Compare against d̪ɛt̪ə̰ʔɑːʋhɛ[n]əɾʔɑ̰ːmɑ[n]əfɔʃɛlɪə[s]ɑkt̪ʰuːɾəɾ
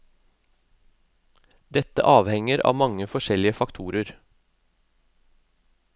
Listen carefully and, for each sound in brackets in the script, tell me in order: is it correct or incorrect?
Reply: incorrect, incorrect, incorrect

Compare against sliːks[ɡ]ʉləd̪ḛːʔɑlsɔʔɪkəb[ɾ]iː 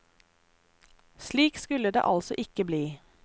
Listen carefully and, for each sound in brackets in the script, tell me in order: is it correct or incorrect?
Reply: incorrect, incorrect

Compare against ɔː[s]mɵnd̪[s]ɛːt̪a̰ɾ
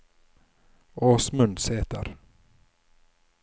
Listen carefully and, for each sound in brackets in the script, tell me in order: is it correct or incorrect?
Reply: correct, correct

